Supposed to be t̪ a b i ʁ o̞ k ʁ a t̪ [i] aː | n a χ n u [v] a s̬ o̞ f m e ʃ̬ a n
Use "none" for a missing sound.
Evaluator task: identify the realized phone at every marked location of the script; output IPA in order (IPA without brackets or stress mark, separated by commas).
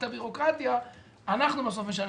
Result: j, b